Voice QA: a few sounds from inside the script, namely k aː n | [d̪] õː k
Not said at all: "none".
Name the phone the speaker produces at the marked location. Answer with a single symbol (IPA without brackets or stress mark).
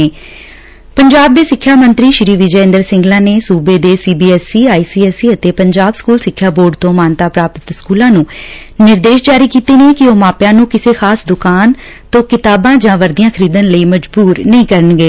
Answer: t̪